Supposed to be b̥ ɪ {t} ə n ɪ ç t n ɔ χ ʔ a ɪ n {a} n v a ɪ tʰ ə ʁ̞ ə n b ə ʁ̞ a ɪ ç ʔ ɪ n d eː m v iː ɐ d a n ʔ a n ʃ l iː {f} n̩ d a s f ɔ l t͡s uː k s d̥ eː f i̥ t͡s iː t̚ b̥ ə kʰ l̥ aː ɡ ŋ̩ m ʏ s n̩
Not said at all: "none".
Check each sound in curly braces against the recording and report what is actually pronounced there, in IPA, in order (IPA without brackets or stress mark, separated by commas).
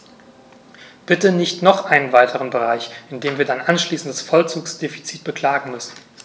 t, ə, s